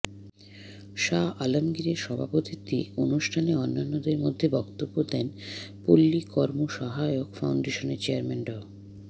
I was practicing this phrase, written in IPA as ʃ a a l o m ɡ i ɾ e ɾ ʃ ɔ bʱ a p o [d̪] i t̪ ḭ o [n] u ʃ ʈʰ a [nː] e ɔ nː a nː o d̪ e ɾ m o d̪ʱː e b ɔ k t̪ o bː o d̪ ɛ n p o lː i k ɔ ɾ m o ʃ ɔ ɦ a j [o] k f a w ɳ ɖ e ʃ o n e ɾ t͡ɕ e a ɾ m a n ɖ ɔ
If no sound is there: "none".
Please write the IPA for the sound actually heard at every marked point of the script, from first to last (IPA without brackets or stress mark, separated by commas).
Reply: t̪, n, n, o